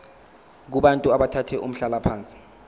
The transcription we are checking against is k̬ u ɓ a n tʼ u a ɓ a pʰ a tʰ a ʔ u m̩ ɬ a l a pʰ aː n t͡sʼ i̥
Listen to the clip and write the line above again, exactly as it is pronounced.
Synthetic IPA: k̬ u ɓ a n tʼ u a ɓ a tʰ a tʰ ɛ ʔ u m̩ ɬ a l a pʰ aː n t͡sʼ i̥